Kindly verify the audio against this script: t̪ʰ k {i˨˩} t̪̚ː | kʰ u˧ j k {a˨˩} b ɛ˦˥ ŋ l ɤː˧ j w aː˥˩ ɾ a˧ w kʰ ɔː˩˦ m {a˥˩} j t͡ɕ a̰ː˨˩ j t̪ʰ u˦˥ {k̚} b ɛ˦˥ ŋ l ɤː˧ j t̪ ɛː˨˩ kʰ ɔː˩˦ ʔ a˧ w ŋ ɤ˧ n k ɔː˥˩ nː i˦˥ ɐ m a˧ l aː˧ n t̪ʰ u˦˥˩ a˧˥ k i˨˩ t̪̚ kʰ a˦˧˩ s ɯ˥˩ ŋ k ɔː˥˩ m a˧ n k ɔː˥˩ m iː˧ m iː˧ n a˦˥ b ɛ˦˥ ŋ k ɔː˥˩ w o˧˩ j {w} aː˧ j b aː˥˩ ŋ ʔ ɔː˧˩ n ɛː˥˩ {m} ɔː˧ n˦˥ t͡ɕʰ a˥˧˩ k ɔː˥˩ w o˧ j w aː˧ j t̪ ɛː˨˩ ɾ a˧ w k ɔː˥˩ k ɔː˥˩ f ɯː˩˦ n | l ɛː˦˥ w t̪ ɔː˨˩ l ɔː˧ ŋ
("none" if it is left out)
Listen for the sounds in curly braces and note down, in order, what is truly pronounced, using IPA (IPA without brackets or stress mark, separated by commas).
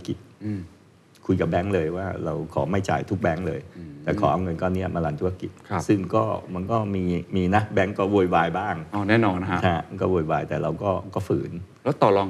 i˨˩, a˨˩, a˥˩, k̚, w, n